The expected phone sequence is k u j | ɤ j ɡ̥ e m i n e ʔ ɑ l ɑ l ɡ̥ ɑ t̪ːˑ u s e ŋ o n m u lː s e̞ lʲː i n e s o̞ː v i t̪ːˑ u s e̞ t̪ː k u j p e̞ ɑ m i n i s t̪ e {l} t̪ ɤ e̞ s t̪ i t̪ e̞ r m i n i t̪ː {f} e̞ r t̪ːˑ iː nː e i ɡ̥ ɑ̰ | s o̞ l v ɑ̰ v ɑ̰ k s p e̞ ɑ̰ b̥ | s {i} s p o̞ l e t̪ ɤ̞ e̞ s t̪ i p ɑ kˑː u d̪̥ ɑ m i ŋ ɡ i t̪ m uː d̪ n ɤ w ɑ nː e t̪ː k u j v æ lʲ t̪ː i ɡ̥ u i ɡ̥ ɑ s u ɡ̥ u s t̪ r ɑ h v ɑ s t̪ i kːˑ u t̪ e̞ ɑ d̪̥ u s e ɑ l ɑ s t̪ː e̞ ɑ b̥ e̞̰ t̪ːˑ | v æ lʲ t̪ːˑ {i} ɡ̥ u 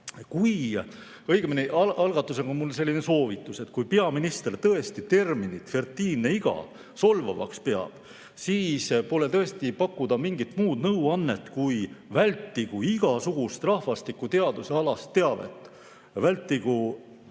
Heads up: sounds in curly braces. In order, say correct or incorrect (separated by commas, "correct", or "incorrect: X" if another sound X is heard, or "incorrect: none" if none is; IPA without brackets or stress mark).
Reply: incorrect: r, correct, incorrect: iː, correct